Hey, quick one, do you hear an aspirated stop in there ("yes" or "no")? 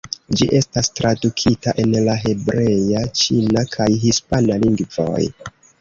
yes